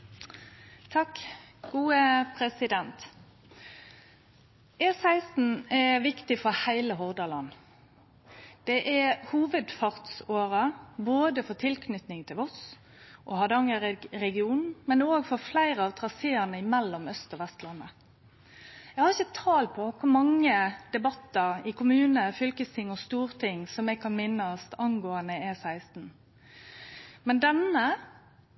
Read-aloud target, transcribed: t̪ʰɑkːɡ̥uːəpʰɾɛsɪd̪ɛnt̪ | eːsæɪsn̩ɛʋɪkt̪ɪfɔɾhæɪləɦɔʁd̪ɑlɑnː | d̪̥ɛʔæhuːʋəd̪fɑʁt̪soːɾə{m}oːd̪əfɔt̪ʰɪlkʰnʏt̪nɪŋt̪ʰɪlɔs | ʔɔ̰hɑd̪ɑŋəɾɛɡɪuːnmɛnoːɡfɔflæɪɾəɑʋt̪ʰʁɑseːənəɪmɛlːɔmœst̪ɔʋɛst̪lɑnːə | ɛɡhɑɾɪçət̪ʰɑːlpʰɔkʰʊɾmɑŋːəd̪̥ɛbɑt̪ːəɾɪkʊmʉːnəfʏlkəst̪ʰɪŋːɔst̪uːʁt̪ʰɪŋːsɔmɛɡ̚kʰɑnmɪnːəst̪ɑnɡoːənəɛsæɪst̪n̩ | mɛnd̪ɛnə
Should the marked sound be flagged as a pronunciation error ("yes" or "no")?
yes